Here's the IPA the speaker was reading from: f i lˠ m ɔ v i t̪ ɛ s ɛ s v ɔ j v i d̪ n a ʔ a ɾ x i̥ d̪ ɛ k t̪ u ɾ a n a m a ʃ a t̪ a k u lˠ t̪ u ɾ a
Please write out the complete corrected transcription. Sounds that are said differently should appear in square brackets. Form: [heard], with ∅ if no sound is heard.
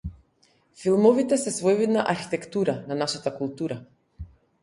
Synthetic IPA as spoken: f i lˠ m ɔ v i t̪ ɛ s ɛ s v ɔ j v i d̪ n a ʔ a ɾ x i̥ [t̪] ɛ k t̪ u ɾ a n a [n] a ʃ a t̪ a k u lˠ t̪ u ɾ a